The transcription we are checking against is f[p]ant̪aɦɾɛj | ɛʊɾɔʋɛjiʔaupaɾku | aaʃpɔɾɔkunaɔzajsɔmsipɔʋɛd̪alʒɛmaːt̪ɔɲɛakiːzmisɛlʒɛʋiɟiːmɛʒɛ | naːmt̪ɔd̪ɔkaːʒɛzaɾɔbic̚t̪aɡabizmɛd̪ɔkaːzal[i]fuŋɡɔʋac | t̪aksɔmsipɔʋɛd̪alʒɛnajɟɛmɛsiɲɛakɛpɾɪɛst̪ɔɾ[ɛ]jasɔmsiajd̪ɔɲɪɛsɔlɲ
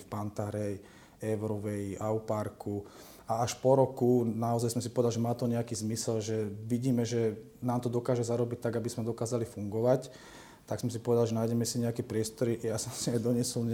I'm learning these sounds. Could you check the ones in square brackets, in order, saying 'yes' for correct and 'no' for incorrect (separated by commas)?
yes, yes, no